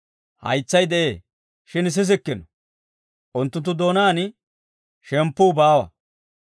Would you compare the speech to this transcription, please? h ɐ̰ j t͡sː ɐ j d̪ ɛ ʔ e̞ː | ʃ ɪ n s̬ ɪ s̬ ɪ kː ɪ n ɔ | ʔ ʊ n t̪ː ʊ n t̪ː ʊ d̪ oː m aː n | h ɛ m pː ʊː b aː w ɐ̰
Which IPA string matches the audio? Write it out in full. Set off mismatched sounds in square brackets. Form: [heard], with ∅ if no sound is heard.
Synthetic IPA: h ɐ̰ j t͡sː ɐ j d̪ ɛ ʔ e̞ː | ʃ ɪ n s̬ ɪ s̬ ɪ kː ɪ n ɔ | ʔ ʊ n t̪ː ʊ n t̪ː ʊ d̪ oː [n] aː n | [ʃ] ɛ m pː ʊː b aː w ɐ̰